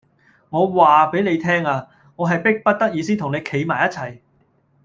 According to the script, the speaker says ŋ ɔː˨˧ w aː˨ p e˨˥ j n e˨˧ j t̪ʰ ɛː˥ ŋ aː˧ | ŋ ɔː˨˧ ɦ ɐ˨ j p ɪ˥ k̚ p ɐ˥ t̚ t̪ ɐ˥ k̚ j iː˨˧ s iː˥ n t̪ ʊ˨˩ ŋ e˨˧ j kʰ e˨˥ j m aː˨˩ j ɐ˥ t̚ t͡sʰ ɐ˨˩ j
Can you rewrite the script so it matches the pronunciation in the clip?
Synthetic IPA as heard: ŋ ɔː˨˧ w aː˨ p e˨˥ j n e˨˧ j t̪ʰ ɛː˥ ŋ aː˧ | ŋ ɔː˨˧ ɦ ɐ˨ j p ɪ˥ k̚ p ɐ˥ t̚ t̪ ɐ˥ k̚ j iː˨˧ s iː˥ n t̪ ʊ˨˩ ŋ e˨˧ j kʰ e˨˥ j m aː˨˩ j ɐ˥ t̚ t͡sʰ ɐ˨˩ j